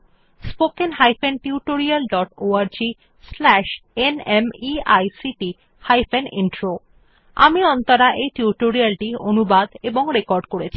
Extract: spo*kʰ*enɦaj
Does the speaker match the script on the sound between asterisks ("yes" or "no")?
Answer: no